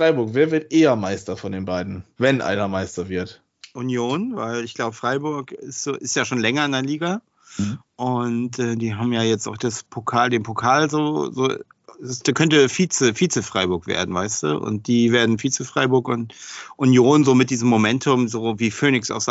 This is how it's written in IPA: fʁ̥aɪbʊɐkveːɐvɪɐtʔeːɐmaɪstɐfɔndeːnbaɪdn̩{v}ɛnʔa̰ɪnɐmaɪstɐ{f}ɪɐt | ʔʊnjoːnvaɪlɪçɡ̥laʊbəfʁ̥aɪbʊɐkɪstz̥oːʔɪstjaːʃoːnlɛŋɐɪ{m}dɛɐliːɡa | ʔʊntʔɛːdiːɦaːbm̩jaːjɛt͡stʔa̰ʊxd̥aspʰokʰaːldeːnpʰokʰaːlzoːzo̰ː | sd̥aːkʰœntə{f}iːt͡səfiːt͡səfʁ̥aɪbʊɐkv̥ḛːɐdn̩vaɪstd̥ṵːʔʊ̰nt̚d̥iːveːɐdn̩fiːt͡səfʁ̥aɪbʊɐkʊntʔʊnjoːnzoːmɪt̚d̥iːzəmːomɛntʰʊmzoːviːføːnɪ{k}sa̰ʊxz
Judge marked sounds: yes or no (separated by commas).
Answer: yes, no, no, yes, yes